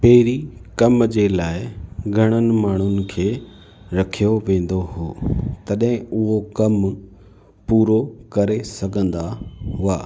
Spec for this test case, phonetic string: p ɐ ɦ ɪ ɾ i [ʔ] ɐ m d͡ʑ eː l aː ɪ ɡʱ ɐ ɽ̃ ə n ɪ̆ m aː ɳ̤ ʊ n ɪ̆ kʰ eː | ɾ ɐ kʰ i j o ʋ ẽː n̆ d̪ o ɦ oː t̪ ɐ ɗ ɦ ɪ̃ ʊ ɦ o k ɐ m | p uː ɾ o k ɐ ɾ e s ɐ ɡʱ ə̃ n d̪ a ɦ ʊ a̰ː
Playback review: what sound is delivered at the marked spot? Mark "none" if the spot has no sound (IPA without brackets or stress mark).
k